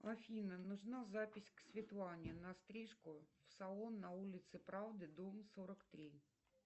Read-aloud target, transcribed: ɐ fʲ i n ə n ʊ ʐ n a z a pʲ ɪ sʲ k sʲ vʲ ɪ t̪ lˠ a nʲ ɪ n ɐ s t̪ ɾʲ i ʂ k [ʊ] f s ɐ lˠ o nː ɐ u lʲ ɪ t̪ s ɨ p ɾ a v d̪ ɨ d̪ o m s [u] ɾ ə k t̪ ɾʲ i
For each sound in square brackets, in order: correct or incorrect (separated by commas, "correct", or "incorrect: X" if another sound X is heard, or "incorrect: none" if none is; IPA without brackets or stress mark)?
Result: correct, incorrect: o